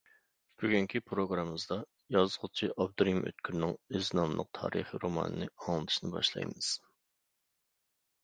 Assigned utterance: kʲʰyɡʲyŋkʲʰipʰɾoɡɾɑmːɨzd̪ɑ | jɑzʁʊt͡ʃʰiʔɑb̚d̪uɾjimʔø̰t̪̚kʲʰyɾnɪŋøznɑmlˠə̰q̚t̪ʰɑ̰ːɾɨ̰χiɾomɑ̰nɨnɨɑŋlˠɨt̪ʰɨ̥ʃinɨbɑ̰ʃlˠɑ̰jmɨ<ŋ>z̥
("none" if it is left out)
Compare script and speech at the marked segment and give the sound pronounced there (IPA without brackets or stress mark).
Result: none